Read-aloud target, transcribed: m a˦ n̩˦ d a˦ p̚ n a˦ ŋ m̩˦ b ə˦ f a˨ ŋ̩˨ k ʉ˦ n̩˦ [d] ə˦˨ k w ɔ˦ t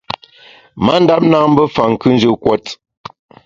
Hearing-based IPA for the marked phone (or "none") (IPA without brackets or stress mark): d͡ʒ